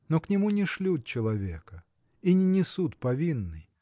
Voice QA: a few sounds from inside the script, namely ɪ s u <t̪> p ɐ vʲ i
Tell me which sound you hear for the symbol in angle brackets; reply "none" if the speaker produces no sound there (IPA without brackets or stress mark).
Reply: t̪